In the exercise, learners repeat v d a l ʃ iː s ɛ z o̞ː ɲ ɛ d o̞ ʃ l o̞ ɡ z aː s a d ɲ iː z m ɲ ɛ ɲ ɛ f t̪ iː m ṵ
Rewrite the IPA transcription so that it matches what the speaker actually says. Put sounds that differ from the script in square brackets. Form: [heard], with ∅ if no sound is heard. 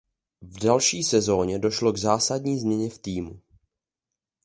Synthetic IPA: v d a l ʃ iː s ɛ z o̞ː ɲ ɛ d o̞ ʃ l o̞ ɡ z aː s a d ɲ iː z m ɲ ɛ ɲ ɛ f t̪ iː m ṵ